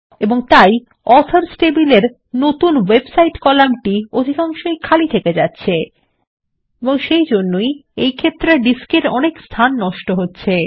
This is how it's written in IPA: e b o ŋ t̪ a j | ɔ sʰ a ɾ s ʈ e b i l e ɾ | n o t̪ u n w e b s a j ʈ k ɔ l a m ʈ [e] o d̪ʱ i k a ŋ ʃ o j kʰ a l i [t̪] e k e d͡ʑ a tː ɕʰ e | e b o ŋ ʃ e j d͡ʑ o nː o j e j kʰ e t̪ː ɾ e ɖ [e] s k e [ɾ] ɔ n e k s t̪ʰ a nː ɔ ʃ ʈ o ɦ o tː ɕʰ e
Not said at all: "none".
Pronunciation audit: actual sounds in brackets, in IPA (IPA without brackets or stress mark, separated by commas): i, t̪ʰ, i, ɾ